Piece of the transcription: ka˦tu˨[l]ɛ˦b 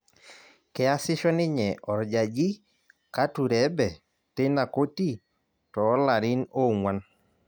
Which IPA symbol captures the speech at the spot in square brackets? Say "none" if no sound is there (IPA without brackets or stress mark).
ɾ